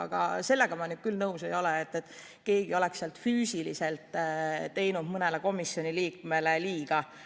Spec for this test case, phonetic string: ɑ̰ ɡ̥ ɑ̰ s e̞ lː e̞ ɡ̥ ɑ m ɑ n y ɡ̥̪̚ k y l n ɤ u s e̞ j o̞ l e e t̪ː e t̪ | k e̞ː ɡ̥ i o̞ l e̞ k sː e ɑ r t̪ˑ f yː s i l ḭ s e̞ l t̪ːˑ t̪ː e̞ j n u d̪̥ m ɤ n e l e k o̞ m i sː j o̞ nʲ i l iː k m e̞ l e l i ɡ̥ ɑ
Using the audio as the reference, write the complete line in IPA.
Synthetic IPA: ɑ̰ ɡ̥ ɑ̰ s e̞ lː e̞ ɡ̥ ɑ m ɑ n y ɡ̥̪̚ k y l n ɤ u s e̞ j o̞ l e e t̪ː e t̪ | k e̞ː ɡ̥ i o̞ l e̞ k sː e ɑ l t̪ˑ f yː s i l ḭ s e̞ l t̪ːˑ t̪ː e̞ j n u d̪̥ m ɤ n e l e k o̞ m i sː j o̞ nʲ i l iː k m e̞ l e l iː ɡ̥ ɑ